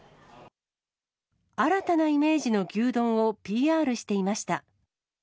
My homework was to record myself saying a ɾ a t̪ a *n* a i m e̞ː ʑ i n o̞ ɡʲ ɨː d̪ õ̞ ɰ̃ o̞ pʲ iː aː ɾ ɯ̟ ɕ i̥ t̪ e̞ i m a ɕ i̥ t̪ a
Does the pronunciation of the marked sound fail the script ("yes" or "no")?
no